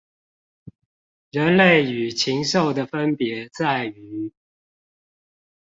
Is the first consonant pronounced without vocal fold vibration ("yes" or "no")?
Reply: no